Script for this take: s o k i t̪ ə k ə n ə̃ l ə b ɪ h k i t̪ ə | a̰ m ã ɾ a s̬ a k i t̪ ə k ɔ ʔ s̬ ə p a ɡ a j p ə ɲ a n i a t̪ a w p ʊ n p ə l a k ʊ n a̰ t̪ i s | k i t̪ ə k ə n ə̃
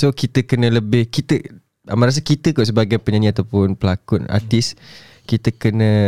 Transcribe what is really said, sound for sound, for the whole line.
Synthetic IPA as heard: s o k i t̪ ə k ə n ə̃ l ə b ɪ h k i t̪ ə | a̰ m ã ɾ a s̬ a k i t̪ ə k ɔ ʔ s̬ ə b a ɡ a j p ə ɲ a n i a t̪ a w p ʊ n p ə l a k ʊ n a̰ t̪ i s | k i t̪ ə k ə n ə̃